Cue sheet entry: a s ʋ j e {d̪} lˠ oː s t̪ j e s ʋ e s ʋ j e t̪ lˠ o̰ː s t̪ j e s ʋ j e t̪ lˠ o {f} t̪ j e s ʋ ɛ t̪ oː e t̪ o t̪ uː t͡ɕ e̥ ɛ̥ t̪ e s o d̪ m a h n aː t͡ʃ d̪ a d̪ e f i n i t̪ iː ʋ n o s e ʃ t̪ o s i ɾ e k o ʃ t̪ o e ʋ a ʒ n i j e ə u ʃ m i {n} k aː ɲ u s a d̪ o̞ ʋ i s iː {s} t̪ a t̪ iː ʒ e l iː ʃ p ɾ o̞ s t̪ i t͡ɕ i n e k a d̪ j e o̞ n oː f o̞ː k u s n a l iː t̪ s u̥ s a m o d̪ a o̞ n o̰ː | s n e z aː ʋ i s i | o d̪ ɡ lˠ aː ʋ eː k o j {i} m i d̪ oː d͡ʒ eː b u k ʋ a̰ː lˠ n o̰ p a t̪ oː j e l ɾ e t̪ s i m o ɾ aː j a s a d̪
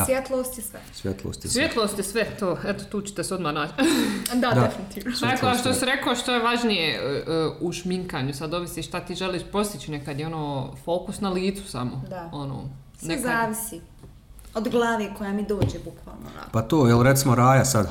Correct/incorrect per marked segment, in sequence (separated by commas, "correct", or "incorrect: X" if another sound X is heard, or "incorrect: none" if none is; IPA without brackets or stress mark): incorrect: t̪, incorrect: s, incorrect: ŋ, incorrect: ʃ, incorrect: a